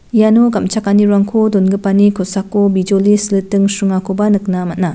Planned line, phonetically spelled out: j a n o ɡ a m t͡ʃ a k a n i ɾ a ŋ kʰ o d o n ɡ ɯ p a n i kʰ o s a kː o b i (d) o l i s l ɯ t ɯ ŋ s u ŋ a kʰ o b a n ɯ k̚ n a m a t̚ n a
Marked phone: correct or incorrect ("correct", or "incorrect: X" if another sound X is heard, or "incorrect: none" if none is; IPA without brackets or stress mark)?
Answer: incorrect: d͡ʒ